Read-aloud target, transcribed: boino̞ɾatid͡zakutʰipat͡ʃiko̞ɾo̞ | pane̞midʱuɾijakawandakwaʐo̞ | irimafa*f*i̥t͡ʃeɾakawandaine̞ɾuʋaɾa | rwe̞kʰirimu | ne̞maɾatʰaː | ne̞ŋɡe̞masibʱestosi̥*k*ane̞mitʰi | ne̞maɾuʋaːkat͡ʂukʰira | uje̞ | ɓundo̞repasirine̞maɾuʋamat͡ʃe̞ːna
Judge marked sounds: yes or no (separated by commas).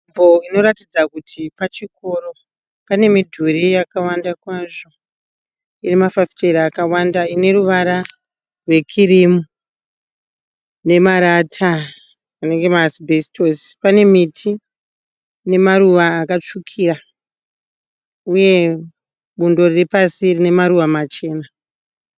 yes, no